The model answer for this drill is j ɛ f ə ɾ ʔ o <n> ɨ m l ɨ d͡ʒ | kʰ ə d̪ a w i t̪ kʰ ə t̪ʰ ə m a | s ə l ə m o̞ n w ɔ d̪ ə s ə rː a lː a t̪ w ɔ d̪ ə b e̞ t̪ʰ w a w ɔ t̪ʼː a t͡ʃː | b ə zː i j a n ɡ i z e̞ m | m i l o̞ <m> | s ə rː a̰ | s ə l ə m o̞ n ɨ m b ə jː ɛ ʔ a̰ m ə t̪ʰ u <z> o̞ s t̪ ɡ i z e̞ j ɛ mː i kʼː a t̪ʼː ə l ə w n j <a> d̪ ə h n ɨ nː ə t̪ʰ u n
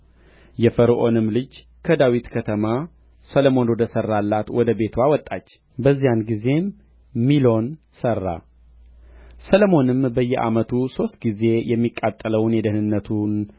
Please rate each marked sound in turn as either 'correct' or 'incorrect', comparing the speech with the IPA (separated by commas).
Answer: correct, incorrect, incorrect, incorrect